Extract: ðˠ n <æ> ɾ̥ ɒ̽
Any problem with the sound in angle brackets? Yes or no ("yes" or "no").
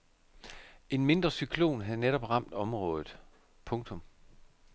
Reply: yes